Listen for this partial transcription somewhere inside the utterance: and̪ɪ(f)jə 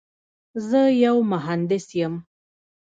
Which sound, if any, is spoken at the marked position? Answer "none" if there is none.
s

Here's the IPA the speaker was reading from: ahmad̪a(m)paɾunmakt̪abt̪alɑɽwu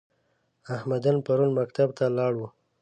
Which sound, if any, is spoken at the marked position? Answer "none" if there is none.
n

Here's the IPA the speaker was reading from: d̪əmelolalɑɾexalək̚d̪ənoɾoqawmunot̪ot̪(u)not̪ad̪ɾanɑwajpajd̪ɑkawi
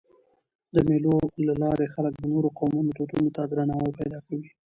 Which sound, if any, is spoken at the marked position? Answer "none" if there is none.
u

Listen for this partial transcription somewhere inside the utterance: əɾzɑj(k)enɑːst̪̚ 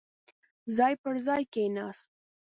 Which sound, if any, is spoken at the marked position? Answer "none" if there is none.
k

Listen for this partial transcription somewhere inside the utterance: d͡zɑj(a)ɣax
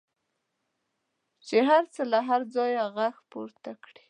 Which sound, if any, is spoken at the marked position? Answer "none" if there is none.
a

